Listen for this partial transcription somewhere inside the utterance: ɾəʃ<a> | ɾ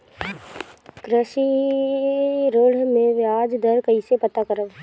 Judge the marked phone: incorrect: i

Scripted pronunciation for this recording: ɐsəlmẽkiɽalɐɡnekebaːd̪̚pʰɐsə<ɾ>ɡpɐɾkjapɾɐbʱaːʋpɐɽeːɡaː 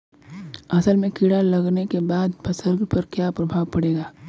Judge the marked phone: correct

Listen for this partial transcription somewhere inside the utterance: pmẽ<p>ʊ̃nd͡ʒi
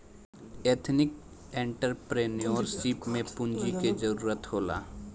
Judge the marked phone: correct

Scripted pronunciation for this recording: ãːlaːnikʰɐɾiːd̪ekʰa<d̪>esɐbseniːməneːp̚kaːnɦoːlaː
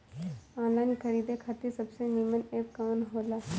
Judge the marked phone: incorrect: t̪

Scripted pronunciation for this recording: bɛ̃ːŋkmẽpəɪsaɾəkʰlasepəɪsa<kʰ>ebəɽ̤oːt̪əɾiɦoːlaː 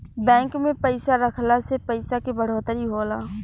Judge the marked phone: incorrect: k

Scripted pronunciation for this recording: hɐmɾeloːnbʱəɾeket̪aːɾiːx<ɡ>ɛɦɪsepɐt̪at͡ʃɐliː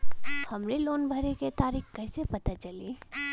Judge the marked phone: incorrect: k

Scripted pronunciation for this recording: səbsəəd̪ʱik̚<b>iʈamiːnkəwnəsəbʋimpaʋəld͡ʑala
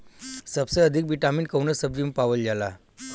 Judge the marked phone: correct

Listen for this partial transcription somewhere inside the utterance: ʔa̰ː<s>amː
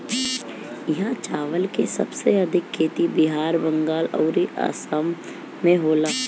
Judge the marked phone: correct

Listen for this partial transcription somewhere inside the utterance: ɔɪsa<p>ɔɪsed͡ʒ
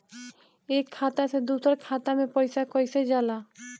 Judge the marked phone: incorrect: k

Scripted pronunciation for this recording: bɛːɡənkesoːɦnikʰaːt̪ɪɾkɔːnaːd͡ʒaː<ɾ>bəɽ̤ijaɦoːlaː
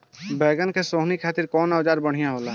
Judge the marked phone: correct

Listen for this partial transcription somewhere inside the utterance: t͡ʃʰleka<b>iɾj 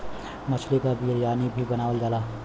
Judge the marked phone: correct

